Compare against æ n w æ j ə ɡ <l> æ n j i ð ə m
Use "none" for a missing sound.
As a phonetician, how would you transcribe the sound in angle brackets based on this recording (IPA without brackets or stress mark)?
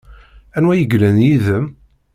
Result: l